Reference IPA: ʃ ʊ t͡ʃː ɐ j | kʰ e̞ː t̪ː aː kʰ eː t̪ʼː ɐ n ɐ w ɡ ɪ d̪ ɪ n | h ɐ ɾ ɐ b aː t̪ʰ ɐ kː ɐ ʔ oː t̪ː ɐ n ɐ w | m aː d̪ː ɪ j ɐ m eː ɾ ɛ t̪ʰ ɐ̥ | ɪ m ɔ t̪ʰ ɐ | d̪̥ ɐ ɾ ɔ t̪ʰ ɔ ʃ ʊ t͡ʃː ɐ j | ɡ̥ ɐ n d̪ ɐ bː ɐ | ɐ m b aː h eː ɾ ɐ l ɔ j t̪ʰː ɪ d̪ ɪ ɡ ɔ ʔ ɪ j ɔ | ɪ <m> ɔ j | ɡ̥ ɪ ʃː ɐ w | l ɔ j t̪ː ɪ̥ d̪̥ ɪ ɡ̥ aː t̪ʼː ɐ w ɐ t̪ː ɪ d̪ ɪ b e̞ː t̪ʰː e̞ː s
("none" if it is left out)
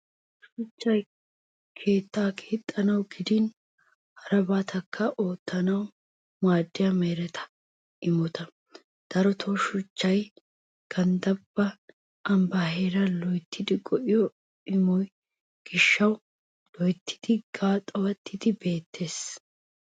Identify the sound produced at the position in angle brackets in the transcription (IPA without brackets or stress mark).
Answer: m